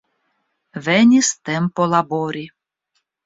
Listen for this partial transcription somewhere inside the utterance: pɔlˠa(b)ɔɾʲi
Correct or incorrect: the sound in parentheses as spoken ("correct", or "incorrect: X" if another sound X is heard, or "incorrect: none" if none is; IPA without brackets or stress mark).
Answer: correct